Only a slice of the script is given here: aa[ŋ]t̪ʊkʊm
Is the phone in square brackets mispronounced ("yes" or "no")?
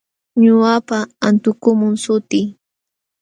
yes